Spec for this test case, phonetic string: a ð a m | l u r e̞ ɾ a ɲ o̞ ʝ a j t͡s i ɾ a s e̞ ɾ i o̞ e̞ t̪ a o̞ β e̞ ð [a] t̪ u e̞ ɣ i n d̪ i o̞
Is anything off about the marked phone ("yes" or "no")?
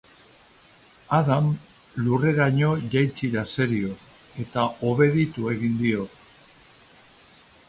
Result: yes